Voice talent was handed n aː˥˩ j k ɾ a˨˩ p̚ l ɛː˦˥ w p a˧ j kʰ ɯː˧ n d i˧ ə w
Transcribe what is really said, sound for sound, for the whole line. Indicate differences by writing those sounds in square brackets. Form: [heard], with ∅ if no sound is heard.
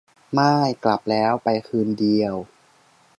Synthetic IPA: [m] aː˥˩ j k [l] a˨˩ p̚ l ɛː˦˥ w p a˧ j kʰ ɯː˧ n d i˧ ə w